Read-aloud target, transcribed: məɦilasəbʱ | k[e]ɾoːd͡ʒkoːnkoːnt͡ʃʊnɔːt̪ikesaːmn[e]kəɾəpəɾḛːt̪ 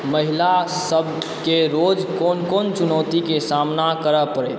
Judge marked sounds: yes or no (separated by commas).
yes, no